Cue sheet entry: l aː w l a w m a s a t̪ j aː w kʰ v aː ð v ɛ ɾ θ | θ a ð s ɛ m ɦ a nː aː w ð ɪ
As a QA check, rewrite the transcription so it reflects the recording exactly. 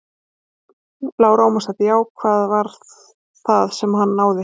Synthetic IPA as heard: l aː w ɾ a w m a s a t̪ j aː w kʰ v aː ð v a ɾ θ | θ a ð s ɛ m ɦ a nː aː w ð ɪ